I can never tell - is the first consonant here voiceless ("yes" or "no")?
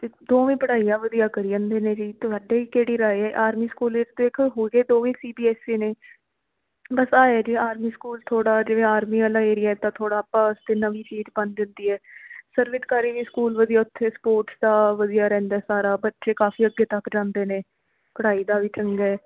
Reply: yes